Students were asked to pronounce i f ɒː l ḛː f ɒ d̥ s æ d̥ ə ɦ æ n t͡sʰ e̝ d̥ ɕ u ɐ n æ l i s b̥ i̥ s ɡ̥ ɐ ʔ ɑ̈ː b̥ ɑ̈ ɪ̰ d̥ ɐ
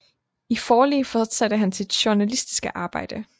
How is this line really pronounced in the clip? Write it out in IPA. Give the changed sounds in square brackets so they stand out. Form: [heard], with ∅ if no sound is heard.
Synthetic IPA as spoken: i f ɒː l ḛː f ɒ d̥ s æ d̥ ə ɦ æ n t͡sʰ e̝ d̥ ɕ u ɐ n æ l i s [d̥] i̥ s ɡ̥ [ə] ʔ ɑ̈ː b̥ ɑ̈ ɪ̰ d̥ [ə]